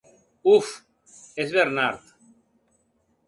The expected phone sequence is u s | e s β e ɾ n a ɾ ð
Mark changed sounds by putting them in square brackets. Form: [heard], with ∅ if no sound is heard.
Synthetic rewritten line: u [f] | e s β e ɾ n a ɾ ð